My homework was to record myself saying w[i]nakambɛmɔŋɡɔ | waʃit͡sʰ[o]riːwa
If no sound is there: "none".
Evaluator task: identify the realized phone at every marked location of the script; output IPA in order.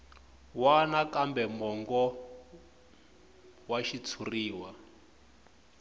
a, u

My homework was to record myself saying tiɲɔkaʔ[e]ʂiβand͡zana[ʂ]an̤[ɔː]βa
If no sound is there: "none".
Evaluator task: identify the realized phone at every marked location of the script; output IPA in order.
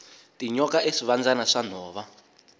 e, ʂ, ɔː

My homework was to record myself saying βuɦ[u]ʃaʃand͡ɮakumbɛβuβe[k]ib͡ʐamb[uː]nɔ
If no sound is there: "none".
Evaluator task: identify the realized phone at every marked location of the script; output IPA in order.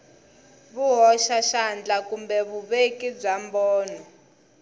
ɔ, k, ɔː

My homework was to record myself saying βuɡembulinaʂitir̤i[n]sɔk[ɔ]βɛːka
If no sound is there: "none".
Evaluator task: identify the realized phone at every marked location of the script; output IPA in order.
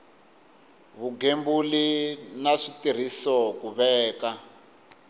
none, u

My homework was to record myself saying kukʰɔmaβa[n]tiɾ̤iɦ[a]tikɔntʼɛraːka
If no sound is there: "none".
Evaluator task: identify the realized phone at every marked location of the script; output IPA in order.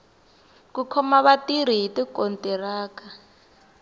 none, i

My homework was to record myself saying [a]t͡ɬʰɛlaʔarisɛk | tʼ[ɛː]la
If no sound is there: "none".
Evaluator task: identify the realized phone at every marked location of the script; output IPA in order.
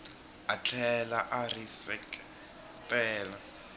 a, ɛː

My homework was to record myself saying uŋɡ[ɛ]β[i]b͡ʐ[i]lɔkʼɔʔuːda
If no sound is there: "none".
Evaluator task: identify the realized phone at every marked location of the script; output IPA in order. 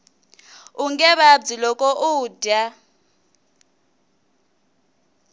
ɛ, a, i

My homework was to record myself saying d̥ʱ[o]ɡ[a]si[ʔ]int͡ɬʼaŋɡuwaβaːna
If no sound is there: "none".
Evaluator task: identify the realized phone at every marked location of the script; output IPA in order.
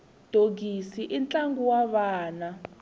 o, i, ʔ

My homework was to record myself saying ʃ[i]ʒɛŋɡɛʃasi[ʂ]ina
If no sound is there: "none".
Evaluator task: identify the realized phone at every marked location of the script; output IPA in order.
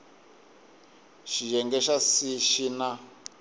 i, ʃ

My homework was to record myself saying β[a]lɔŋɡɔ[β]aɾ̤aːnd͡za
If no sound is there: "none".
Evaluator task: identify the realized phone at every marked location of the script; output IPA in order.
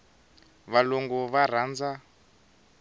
a, β

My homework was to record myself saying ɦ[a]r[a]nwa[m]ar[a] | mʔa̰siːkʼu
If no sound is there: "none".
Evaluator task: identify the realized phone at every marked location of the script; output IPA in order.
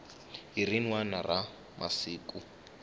i, i, n, a

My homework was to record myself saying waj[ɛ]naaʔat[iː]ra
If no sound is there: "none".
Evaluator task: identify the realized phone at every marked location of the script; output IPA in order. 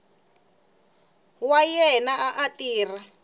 ɛ, iː

